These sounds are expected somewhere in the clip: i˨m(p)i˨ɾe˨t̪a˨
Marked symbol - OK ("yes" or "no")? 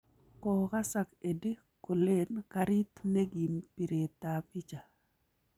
yes